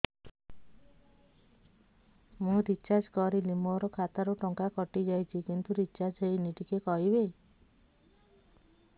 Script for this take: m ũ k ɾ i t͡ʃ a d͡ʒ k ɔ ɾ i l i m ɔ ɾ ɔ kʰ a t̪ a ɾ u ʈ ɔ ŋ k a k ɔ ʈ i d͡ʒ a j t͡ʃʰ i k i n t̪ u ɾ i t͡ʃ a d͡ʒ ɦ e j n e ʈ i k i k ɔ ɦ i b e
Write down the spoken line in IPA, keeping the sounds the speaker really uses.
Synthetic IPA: m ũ ɾ i t͡ʃ a d͡ʒ k ɔ ɾ i l i m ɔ ɾ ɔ kʰ a t̪ a ɾ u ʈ ɔ ŋ k a k ɔ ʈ i d͡ʒ a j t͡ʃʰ i k i n t̪ u ɾ i t͡ʃ a d͡ʒ ɦ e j n i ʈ i k e k ɔ ɦ i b e